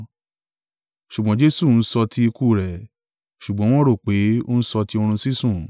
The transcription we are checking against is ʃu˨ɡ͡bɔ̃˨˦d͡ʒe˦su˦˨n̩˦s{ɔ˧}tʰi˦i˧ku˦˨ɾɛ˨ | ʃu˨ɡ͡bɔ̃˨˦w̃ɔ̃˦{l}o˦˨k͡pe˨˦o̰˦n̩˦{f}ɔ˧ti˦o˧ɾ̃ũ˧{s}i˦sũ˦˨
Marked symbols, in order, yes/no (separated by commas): yes, no, no, yes